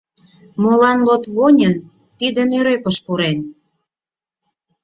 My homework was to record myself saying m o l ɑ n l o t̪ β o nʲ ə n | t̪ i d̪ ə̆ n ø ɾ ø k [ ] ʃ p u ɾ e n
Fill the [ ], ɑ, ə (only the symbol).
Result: ə